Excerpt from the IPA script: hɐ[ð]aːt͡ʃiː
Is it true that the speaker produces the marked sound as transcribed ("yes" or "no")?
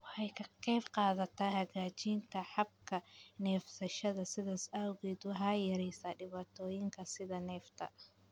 no